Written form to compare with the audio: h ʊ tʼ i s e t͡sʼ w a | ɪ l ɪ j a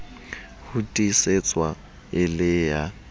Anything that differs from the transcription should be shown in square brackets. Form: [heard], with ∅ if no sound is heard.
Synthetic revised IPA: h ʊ tʼ i s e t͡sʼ w a | ɪ l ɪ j a